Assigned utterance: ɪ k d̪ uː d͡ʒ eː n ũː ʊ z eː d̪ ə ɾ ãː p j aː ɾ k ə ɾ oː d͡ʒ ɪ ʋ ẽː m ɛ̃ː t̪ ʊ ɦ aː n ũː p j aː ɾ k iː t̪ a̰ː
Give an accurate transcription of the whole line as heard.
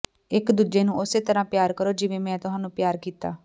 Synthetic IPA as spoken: ɪ k d̪ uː d͡ʒ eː n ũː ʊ s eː t̪ ə ɾ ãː p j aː ɾ k ə ɾ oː d͡ʒ ɪ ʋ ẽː m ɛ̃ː t̪ ʊ ɦ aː n ũː p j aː ɾ k iː t̪ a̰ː